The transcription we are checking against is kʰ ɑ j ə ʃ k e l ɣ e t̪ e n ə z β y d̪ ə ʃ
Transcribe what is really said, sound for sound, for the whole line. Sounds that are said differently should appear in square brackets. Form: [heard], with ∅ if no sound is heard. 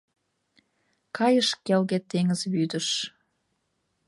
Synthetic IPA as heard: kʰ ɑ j ə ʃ k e l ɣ e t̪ e [ŋ] ə z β y d̪ ə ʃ